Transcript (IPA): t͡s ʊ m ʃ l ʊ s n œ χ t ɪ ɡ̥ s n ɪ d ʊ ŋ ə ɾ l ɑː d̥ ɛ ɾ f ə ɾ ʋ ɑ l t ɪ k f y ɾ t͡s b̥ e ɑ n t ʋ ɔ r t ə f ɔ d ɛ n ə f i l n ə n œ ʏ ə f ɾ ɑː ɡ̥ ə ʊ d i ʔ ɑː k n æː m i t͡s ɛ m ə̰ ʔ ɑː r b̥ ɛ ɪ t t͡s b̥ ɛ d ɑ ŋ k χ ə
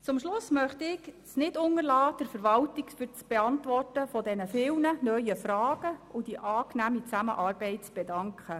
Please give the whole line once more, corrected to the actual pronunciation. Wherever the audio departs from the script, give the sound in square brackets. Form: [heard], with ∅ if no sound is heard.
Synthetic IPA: t͡s ʊ m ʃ l ʊ s [m] œ χ t ɪ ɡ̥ s n ɪ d ʊ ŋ ə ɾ l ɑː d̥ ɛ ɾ f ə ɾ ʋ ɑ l t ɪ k f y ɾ t͡s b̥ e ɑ n t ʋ ɔ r t ə f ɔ d ɛ n ə f [ɪ] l n ə n œ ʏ ə f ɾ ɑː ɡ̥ ə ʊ d i ʔ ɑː k n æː m i t͡s [æ] m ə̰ ʔ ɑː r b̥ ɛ ɪ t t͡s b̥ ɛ d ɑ ŋ k χ ə